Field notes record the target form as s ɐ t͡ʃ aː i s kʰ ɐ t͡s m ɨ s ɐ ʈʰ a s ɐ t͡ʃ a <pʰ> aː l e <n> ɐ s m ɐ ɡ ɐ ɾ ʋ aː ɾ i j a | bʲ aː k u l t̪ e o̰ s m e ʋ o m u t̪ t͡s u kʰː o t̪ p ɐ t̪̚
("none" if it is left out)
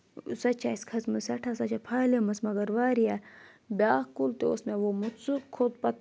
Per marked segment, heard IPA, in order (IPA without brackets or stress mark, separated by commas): pʰ, m